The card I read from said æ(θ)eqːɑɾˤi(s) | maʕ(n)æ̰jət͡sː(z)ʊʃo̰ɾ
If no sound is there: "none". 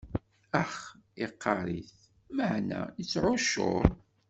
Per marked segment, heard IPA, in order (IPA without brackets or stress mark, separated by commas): χ, θ, n, ʕ